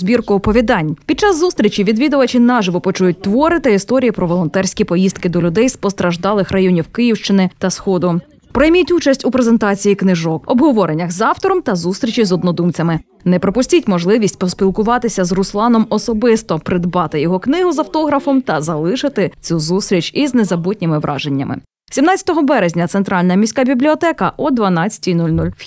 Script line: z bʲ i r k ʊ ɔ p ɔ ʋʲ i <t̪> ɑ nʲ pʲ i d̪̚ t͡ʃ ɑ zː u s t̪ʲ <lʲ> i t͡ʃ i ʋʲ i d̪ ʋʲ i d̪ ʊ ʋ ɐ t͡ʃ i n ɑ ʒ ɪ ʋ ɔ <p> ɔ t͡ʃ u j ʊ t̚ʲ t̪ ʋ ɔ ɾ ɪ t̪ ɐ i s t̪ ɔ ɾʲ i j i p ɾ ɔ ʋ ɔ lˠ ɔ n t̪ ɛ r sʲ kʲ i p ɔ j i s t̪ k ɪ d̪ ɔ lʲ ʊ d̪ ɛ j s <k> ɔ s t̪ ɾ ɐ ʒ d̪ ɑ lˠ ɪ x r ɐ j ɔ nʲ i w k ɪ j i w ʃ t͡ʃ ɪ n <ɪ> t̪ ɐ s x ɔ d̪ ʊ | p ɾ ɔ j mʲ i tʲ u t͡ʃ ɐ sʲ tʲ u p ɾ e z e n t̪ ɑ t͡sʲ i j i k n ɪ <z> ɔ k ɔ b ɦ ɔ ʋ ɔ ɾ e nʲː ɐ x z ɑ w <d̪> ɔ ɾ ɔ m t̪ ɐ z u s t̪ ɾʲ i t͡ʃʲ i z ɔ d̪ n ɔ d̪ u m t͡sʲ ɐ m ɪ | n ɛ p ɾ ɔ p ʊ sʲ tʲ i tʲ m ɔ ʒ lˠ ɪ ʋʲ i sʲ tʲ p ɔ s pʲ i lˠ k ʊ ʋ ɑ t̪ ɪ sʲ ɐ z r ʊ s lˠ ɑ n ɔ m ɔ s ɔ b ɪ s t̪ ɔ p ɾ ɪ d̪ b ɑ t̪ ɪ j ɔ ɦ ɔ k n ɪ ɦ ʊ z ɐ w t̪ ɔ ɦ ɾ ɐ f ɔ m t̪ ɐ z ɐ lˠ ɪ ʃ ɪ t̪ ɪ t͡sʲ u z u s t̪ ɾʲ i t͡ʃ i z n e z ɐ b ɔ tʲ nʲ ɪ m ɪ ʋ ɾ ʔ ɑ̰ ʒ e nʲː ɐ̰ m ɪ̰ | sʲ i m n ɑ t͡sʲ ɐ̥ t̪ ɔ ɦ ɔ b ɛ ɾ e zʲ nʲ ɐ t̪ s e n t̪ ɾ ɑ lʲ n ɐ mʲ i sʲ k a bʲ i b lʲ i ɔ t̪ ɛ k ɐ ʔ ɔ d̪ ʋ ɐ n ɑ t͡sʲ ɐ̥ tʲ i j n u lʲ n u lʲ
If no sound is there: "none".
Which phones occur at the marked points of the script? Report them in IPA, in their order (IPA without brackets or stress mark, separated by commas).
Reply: d̪, ɾʲ, p, p, ɪ, ʒ, t̪